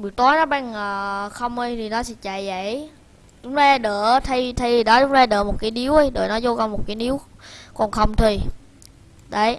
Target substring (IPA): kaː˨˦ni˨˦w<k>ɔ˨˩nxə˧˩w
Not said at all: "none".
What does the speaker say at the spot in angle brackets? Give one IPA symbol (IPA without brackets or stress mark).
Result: k